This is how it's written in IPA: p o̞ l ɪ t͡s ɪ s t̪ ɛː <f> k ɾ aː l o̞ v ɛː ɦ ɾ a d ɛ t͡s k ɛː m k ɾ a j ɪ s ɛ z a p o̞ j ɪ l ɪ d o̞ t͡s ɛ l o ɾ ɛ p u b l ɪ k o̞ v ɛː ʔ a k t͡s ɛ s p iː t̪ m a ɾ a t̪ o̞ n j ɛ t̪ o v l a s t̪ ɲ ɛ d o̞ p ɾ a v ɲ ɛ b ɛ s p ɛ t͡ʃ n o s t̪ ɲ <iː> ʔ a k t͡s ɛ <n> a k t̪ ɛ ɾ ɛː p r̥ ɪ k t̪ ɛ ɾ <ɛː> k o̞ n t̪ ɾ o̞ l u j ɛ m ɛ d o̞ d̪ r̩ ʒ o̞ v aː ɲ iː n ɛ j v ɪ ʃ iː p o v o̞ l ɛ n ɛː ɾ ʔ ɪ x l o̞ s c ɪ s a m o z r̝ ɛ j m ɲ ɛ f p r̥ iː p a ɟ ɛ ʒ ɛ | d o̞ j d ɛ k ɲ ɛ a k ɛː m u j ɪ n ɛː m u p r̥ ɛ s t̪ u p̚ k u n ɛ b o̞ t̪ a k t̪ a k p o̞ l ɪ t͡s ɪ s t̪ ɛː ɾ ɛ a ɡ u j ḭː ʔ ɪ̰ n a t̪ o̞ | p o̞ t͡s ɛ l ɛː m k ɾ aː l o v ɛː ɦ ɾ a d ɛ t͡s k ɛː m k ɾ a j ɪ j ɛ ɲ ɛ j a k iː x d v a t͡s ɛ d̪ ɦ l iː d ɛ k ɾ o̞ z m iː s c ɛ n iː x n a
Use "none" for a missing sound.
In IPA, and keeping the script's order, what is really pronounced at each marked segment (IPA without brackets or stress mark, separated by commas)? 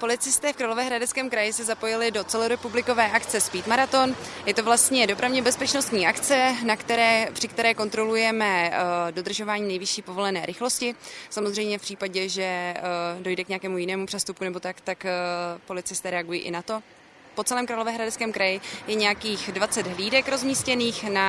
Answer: f, iː, n, ɛː